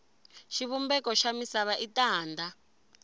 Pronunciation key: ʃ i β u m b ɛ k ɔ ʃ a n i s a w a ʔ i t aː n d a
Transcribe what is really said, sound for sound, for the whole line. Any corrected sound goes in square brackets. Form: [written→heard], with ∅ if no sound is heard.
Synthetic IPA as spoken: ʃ i β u m b ɛ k ɔ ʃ a [n→m] i s a [w→β] a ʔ i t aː n d a